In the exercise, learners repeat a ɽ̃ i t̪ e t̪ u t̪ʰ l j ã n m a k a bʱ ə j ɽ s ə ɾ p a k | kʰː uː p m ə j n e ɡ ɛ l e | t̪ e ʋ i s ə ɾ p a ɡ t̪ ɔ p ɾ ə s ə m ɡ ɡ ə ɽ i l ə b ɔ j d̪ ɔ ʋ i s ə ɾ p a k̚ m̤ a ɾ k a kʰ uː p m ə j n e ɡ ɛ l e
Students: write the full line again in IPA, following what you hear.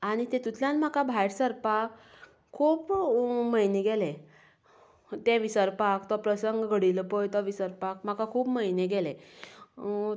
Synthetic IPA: a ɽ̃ i t̪ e t̪ u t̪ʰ l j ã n m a k a bʱ a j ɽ s ə ɾ p a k | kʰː uː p m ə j n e ɡ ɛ l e | t̪ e ʋ i s ə ɾ p a k t̪ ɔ p ɾ ə s ə ŋ ɡ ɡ ə ɽ i l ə p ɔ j t̪ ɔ ʋ i s ə ɾ p a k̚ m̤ a k a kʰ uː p m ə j n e ɡ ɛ l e